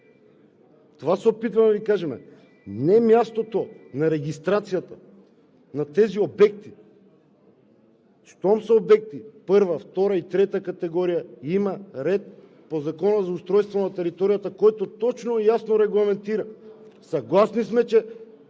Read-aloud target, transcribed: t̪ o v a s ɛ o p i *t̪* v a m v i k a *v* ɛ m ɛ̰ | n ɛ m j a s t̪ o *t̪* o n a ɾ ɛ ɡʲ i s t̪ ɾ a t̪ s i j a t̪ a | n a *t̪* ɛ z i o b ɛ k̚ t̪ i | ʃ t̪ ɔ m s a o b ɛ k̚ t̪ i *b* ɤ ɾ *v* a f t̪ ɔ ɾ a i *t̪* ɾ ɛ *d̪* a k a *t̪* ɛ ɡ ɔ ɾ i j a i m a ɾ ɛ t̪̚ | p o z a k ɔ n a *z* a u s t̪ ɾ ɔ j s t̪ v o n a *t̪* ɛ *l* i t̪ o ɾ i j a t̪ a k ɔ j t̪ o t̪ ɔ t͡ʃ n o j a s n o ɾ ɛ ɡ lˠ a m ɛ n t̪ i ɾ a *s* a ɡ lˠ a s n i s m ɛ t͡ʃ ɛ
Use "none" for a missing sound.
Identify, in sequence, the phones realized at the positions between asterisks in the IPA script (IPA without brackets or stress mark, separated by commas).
t̪, ʒ, t̪, t̪, p, v, t̪, t̪, t̪, z, t̪, ɾ, s